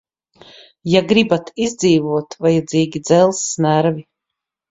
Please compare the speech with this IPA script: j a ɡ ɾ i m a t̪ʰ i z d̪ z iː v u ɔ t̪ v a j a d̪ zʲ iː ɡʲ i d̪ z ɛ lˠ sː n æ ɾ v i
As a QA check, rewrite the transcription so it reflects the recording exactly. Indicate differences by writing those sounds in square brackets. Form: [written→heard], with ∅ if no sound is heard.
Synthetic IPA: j a ɡ ɾ i [m→b] a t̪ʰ i z d̪ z iː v u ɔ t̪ v a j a d̪ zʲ iː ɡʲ i d̪ z ɛ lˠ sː n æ ɾ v i